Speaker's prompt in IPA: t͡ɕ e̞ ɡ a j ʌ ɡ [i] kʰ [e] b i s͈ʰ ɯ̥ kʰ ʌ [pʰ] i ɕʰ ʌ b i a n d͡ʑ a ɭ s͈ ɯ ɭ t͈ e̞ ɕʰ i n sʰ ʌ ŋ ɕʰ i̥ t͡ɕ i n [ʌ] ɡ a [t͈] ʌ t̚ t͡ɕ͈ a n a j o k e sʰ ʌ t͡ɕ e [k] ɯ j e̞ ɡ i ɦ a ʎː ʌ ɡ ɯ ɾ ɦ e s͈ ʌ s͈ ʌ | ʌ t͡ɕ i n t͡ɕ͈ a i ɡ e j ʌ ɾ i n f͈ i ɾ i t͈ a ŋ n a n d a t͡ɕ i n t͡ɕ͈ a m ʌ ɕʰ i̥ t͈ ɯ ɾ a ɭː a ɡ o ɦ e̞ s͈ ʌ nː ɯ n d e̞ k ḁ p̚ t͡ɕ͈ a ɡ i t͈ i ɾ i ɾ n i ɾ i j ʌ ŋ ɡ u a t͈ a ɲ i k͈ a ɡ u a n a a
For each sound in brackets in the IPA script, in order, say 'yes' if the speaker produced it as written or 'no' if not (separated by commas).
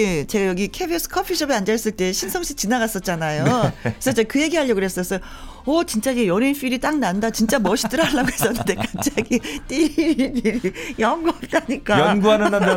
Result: yes, yes, yes, no, no, yes